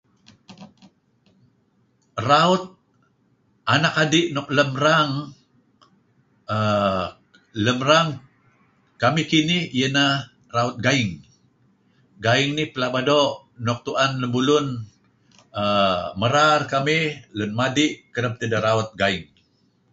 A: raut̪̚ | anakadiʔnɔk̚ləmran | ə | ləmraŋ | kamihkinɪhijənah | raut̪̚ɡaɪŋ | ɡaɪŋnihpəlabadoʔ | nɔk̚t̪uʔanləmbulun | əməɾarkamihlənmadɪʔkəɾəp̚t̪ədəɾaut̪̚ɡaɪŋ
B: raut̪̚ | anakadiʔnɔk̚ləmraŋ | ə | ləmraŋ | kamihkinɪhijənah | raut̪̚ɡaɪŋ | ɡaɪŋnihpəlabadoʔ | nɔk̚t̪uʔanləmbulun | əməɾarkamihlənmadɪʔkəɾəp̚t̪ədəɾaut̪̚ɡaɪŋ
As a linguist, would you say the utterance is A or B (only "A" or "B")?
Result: B